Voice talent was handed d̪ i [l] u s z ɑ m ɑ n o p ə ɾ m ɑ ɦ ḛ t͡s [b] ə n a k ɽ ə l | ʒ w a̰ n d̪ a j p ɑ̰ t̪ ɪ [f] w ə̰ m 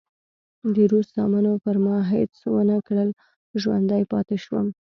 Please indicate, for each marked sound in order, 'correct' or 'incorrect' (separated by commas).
incorrect, incorrect, incorrect